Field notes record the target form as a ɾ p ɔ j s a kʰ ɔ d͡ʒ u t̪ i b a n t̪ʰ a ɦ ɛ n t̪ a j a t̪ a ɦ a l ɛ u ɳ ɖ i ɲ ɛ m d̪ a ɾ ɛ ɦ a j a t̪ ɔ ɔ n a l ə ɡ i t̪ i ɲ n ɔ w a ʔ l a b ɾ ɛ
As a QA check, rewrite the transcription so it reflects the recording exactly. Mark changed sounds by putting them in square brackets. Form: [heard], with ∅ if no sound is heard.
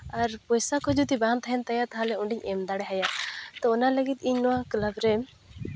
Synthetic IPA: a ɾ p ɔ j s a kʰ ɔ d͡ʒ u t̪ i b a n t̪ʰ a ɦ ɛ n t̪ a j a t̪ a ɦ a l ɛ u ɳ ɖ i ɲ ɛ m d̪ a [ɽ] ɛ ɦ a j a t̪ ɔ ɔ n a l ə ɡ i t̪ i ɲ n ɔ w a [k] l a b ɾ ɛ

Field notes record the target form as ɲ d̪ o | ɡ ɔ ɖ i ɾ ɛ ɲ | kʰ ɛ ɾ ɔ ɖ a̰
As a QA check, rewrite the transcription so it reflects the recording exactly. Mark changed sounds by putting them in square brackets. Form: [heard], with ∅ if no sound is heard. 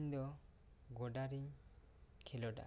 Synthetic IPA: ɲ d̪ [ɔ] | ɡ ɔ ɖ [a] ɾ [i] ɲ | kʰ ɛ [l] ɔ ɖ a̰

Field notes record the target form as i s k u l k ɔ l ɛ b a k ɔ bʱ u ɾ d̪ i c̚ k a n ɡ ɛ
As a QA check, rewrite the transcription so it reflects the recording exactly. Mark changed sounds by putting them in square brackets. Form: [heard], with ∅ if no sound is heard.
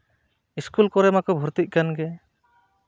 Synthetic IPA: i s k u l k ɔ [ɾ] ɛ [m] a k ɔ bʱ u ɾ [t̪] i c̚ k a n ɡ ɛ

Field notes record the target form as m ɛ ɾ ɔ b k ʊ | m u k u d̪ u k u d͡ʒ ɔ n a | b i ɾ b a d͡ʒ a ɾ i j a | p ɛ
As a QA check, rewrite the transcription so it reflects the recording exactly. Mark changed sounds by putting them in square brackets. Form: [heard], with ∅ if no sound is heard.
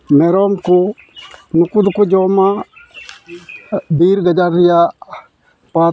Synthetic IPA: m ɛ ɾ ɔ [m] k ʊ | [n] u k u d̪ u k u d͡ʒ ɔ [m] a | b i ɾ [ɡ] a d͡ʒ a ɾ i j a | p [a]

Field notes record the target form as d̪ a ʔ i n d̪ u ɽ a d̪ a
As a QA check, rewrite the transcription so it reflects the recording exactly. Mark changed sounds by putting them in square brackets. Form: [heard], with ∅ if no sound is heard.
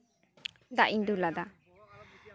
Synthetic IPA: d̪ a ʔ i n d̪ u [l] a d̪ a

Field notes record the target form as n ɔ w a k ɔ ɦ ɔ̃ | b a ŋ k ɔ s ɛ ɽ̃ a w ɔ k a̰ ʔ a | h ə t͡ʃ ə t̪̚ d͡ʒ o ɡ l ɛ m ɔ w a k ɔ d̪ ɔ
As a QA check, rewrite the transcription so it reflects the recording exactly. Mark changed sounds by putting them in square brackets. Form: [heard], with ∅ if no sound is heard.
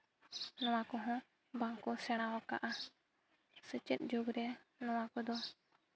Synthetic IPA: n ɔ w a k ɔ ɦ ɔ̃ | b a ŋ k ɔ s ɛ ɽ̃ a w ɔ k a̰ ʔ a | [s] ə t͡ʃ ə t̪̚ d͡ʒ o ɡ [ɾ] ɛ [n] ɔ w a k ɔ d̪ ɔ

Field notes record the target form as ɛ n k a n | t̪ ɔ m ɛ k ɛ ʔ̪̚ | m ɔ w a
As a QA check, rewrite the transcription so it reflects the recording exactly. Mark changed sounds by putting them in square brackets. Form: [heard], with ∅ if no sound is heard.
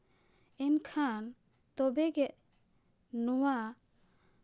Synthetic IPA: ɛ n [kʰ] a n | t̪ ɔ [b] ɛ [ɡ] ɛ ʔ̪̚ | [n] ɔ w a

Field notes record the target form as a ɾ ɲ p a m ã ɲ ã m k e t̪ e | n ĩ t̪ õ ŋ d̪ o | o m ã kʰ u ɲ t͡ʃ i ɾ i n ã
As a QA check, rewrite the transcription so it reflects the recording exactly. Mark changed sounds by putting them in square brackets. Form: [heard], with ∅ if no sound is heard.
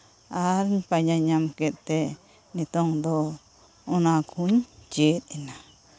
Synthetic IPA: a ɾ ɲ p a [ɲ] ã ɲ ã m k e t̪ e | n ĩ t̪ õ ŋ d̪ o | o [n] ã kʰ u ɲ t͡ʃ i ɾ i n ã

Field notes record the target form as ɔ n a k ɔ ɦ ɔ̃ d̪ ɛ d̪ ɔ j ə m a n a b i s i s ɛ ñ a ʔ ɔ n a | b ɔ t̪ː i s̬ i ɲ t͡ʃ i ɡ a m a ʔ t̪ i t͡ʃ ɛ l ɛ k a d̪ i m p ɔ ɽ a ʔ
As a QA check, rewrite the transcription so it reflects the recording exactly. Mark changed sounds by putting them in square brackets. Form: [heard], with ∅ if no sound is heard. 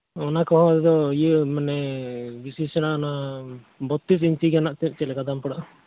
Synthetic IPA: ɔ n a k ɔ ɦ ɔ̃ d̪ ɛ d̪ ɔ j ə m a n [ɛ] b i s i s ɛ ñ a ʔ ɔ n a | b ɔ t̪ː i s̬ i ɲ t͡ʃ i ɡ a [n] a ʔ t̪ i t͡ʃ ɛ l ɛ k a d̪ [a] m p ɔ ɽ a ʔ

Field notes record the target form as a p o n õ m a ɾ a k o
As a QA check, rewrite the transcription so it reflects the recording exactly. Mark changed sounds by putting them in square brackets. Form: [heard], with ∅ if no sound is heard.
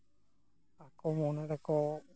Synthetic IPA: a [k] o [m] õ [n] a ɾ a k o

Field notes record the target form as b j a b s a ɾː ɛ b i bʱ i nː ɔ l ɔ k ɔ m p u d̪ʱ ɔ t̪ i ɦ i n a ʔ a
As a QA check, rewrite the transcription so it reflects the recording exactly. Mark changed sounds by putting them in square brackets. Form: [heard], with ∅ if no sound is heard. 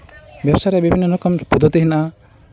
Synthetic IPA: b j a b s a [ɾ] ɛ b i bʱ i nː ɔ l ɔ k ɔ m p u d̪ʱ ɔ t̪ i ɦ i n a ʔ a

